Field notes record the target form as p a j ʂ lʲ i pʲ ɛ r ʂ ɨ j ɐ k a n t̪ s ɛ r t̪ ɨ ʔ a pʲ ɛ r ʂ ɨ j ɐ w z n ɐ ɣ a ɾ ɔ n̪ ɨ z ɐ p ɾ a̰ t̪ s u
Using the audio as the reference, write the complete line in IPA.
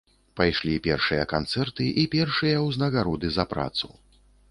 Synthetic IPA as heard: p a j ʂ lʲ i pʲ ɛ r ʂ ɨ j ɐ k a n t̪ s ɛ r t̪ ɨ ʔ i pʲ ɛ r ʂ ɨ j ɐ w z n ɐ ɣ a ɾ ɔ d̪ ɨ z ɐ p ɾ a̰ t̪ s u